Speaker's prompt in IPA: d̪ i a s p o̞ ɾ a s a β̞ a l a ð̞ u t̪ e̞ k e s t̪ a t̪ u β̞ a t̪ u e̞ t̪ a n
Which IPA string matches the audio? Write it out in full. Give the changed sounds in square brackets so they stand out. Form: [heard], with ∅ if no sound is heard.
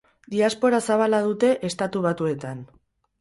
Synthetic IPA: d̪ i a s p o̞ ɾ a s a β̞ a l a ð̞ u t̪ e̞ [ʔ] e s t̪ a t̪ u β̞ a t̪ u e̞ t̪ a n